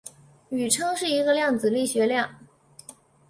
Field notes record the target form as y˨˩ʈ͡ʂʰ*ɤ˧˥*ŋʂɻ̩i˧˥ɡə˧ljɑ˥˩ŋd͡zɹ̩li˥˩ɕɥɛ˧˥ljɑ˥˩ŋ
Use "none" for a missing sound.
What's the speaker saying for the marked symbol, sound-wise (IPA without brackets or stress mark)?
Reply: ɤ˥